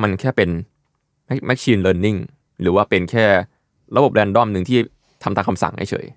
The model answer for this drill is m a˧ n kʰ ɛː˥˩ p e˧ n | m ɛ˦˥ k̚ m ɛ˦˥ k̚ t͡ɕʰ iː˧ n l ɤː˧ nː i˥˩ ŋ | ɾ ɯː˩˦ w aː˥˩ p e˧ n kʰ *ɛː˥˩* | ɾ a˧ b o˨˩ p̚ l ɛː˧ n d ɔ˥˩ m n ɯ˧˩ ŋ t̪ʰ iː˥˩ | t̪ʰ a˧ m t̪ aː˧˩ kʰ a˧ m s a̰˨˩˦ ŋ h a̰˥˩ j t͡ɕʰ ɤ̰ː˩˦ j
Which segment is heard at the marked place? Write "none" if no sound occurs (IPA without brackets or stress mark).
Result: ɛː˥˩